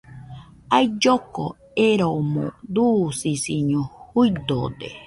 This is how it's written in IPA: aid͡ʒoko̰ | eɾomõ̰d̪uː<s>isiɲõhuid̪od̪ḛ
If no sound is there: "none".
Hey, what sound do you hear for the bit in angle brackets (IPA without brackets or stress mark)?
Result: s